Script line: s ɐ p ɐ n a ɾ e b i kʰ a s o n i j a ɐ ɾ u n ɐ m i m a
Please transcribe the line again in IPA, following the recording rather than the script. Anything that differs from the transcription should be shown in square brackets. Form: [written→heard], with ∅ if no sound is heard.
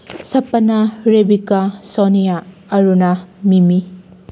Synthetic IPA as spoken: s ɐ p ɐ n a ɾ e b i [kʰ→k] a s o n i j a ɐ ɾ u n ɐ m i m [a→i]